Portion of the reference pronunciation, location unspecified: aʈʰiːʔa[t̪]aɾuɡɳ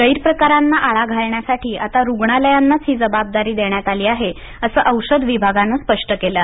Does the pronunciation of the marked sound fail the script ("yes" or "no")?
no